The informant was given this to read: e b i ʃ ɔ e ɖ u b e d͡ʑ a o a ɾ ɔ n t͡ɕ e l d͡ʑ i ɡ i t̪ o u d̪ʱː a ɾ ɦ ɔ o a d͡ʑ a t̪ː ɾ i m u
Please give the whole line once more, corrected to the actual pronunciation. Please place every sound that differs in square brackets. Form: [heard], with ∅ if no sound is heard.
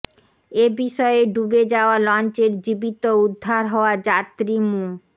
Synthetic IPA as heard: e b i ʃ ɔ e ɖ u b e d͡ʑ a o a [l] ɔ n t͡ɕ e [ɾ] d͡ʑ i [b] i t̪ o u d̪ʱː a ɾ ɦ ɔ o a d͡ʑ a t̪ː ɾ i m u